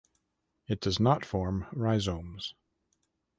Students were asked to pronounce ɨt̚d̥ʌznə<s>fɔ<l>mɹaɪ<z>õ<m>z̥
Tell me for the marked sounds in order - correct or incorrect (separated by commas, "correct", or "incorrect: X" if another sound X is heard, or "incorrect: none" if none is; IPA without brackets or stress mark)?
incorrect: t, incorrect: ɹ, correct, correct